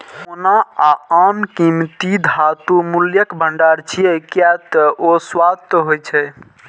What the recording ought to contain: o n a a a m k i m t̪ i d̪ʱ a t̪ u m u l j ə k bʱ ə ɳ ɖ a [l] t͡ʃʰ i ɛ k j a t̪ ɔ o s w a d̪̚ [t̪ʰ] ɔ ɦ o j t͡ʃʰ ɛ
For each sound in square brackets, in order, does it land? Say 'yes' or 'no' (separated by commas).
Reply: no, no